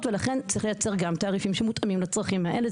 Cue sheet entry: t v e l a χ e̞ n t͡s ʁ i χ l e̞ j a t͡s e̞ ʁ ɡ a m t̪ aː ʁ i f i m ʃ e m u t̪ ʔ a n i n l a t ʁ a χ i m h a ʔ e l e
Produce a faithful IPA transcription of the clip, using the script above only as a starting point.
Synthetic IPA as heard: t v e l a χ e̞ n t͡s ʁ i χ l e̞ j a t͡s e̞ ʁ ɡ a m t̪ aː ʁ i f i m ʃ e m u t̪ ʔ a m i m l a t͡s ʁ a χ i m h a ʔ e l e